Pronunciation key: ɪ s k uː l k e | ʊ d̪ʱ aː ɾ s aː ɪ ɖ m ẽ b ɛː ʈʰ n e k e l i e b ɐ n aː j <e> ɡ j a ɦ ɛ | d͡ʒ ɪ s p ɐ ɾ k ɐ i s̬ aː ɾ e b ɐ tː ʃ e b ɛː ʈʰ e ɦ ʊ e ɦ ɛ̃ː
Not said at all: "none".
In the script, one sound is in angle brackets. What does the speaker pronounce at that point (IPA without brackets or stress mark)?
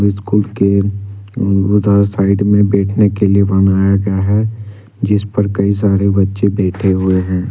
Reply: a